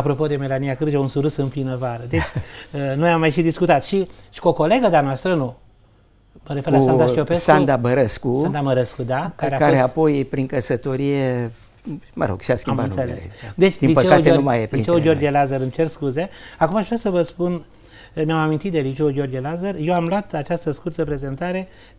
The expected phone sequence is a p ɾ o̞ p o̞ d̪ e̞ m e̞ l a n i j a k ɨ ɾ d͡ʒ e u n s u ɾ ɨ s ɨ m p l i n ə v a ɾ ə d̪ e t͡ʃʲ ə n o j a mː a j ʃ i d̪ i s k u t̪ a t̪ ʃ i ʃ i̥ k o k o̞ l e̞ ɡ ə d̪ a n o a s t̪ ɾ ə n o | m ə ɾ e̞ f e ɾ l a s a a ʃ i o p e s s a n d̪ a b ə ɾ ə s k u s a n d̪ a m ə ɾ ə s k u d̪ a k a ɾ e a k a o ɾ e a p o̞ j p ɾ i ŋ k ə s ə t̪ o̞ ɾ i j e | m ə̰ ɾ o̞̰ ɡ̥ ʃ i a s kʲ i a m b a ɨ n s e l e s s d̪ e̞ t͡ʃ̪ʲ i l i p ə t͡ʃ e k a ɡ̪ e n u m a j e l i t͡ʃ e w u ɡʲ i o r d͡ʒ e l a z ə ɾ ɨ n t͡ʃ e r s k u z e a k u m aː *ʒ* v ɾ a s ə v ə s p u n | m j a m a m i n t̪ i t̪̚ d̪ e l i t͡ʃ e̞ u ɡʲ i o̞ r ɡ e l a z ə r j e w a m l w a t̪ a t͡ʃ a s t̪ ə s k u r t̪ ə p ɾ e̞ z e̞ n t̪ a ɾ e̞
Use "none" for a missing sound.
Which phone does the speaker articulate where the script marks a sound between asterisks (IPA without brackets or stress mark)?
ʒ